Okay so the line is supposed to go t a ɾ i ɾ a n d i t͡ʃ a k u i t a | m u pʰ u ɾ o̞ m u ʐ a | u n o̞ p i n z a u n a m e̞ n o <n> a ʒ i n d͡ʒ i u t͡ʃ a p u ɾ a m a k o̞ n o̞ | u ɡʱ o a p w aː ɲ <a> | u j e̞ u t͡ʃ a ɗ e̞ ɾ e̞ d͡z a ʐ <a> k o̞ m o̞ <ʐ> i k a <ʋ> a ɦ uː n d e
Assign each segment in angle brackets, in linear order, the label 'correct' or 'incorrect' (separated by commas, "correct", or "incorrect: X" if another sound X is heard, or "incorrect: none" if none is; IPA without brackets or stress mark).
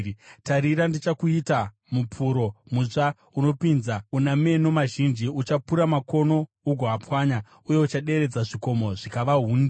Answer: incorrect: m, correct, incorrect: i, correct, correct